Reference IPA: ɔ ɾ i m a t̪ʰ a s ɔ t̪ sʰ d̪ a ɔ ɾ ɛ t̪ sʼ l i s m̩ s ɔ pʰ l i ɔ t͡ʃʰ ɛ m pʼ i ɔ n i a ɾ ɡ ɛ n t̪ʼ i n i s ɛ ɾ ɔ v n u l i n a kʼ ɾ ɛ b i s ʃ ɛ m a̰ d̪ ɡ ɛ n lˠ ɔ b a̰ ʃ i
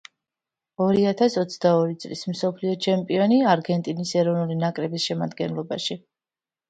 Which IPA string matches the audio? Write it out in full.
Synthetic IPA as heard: ɔ ɾ i a t̪ʰ a s ɔ t̪ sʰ d̪ a ɔ ɾ i t̪ sʼ l i s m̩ s ɔ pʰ l i ɔ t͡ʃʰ ɛ m pʼ i ɔ n i a ɾ ɡ ɛ n t̪ʼ i n i s ɛ ɾ ɔ v n u l i n a kʼ ɾ ɛ b i s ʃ ɛ m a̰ d̪ ɡ ɛ n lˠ ɔ b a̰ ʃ i

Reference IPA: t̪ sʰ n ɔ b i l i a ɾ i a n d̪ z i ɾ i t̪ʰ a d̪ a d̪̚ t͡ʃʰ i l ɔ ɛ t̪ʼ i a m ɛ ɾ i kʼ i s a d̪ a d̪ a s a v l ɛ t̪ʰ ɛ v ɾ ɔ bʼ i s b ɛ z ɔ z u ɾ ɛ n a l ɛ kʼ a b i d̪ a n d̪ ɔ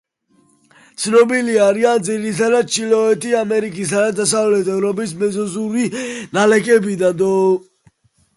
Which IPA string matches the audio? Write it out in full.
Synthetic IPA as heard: t̪ sʰ n ɔ b i l i a ɾ i a n d̪ z i ɾ i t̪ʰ a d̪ a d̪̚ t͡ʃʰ i l ɔ ɛ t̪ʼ i a m ɛ ɾ i kʼ i s a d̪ a d̪ a s a v l ɛ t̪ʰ ɛ v ɾ ɔ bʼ i s m ɛ z ɔ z u ɾ i n a l ɛ kʼ ɛ b i d̪ a n d̪ ɔ

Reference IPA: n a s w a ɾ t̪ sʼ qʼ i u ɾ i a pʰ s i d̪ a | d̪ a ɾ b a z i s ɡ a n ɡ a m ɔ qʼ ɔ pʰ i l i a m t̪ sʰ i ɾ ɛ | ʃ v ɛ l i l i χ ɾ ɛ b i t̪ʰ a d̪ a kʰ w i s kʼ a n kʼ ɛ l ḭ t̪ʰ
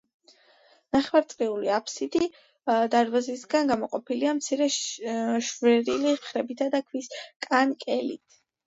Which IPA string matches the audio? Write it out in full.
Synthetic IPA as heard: n a χ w a ɾ t̪ sʼ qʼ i u l i a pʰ s i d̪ i | d̪ a ɾ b a z i s ɡ a n ɡ a m ɔ qʼ ɔ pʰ i l i a m t̪ sʰ i ɾ ɛ | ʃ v ɛ ɾ i l i χ ɾ ɛ b i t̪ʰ a d̪ a kʰ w i s kʼ a n kʼ ɛ l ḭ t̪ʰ

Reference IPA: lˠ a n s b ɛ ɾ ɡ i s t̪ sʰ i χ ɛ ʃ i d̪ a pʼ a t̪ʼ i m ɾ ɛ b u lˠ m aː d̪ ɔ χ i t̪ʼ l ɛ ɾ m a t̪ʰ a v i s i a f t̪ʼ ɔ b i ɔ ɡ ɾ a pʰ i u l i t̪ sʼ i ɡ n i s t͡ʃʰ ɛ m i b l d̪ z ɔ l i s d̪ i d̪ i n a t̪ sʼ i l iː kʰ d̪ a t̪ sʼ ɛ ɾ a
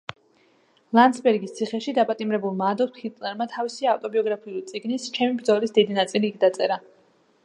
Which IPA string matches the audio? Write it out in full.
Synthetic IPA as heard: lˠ a n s b ɛ ɾ ɡ i s t̪ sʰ i χ ɛ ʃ i d̪ a pʼ a t̪ʼ i m ɾ ɛ b u lˠ m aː d̪ ɔ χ i t̪ʼ l ɛ ɾ m a t̪ʰ a v i s i a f t̪ʼ ɔ b i ɔ ɡ ɾ a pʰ i u l i t̪ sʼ i ɡ n i s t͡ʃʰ ɛ m i b ɾ d̪ z ɔ l i s d̪ i d̪ i n a t̪ sʼ i l iː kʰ d̪ a t̪ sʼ ɛ ɾ a

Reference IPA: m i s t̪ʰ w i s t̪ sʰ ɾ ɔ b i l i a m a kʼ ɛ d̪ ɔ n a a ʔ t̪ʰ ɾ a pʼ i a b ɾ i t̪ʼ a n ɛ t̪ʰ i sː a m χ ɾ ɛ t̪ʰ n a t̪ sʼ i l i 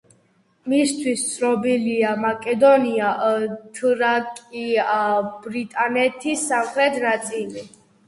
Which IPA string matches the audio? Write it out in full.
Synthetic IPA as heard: m i s t̪ʰ w i s t̪ sʰ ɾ ɔ b i l i a m a kʼ ɛ d̪ ɔ n i a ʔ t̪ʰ ɾ a kʼ i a b ɾ i t̪ʼ a n ɛ t̪ʰ i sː a m χ ɾ ɛ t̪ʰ n a t̪ sʼ i l i

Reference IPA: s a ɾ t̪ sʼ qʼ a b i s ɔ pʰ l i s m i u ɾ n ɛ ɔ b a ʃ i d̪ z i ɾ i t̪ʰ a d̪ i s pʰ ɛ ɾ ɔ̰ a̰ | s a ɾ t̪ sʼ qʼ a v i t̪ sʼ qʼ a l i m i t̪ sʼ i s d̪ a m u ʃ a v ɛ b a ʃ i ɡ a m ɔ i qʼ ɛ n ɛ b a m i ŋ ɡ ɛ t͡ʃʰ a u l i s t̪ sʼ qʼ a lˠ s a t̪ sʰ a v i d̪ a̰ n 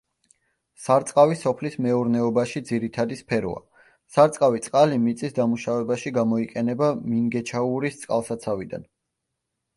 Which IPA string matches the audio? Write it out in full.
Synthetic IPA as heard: s a ɾ t̪ sʼ qʼ a v i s ɔ pʰ l i s m ɛ u ɾ n ɛ ɔ b a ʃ i d̪ z i ɾ i t̪ʰ a d̪ i s pʰ ɛ ɾ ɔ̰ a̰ | s a ɾ t̪ sʼ qʼ a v i t̪ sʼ qʼ a l i m i t̪ sʼ i s d̪ a m u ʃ a v ɛ b a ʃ i ɡ a m ɔ i qʼ ɛ n ɛ b a m i ŋ ɡ ɛ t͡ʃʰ a u ɾ i s t̪ sʼ qʼ a lˠ s a t̪ sʰ a v i d̪ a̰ n

